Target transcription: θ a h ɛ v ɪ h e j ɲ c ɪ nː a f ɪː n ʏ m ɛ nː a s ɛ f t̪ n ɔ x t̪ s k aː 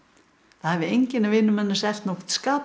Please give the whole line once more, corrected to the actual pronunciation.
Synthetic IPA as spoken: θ a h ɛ v ɪ e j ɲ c ɪ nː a v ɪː n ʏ m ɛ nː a s ɛ f t̪ n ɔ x t̪ s k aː